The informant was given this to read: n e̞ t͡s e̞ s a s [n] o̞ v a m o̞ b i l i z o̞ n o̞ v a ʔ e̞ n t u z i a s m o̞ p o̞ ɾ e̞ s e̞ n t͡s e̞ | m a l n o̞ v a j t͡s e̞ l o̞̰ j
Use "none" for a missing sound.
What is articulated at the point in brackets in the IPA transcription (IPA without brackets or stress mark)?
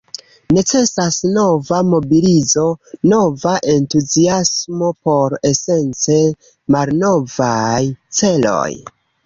n